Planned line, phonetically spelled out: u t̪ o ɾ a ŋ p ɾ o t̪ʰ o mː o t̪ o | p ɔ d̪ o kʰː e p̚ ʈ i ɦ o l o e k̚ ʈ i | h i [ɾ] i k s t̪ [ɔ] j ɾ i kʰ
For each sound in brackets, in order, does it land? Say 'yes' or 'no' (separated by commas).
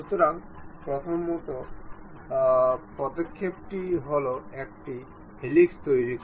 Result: no, no